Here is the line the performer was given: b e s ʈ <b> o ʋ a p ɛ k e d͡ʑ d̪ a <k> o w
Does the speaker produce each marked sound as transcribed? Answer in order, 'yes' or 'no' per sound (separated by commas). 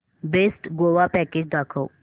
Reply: no, no